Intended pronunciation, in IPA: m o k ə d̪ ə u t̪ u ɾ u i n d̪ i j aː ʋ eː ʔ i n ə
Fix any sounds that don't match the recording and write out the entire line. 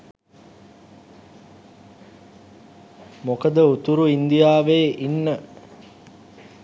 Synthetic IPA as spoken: m o k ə d̪ ə u t̪ u ɾ u i n d̪ i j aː ʋ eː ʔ i nː ə